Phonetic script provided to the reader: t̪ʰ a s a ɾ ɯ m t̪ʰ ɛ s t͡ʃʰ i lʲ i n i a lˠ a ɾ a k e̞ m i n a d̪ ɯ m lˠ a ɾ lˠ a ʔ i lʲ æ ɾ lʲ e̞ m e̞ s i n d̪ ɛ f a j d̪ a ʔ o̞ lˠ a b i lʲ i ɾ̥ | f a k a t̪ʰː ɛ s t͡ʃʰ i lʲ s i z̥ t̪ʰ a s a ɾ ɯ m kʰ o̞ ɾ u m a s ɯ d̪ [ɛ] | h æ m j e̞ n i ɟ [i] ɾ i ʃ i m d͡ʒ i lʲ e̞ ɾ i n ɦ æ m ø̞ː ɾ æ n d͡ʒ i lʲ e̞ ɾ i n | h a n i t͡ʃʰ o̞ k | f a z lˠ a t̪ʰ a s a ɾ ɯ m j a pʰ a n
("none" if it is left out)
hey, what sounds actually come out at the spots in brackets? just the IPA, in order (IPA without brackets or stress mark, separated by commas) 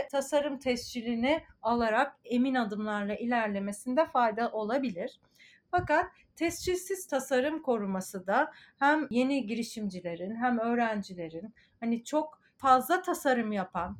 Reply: a, i